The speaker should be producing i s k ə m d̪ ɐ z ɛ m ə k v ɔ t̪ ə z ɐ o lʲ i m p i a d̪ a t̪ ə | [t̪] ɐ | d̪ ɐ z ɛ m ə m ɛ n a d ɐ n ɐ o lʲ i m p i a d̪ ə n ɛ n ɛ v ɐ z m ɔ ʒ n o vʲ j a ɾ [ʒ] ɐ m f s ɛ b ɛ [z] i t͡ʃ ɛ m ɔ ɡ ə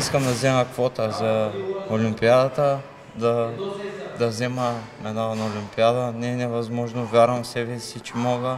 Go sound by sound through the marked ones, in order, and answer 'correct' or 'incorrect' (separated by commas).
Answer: incorrect, incorrect, incorrect